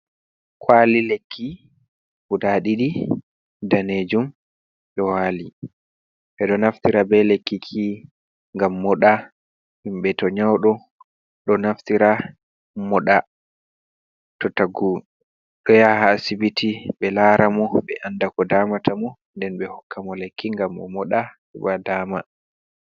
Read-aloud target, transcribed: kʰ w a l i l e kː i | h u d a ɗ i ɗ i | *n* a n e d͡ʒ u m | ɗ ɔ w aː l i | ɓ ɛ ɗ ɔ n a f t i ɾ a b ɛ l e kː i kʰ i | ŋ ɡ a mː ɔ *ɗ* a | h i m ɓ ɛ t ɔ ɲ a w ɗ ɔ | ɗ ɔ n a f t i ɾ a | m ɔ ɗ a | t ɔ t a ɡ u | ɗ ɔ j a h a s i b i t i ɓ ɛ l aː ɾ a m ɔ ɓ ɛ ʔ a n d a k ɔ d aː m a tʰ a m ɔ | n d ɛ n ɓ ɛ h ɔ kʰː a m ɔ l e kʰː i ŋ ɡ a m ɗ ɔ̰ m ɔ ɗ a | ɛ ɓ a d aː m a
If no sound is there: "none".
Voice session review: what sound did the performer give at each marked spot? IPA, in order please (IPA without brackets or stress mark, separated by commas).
d, ɗ